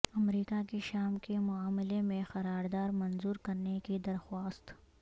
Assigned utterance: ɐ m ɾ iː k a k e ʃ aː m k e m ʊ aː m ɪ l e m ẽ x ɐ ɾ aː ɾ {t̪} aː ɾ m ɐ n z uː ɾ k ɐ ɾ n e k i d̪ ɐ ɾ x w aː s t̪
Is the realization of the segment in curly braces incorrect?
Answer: yes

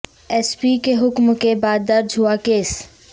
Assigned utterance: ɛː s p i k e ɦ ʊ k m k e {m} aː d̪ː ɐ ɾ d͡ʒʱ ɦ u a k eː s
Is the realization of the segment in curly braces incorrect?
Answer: yes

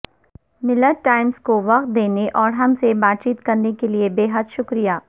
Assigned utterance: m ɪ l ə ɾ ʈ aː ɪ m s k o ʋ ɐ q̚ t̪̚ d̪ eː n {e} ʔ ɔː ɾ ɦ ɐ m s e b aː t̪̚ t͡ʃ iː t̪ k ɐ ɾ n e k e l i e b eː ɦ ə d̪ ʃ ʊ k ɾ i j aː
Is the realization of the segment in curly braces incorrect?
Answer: no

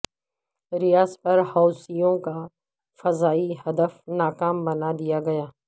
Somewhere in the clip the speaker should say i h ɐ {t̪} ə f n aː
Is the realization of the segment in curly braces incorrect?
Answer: yes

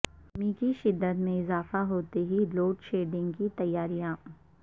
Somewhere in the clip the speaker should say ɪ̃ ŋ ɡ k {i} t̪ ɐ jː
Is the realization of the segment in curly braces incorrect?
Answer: no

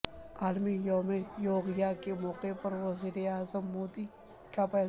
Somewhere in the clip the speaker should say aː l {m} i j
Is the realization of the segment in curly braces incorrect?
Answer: no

